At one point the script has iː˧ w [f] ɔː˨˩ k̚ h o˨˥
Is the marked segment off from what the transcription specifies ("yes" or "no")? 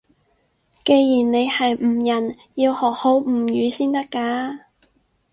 yes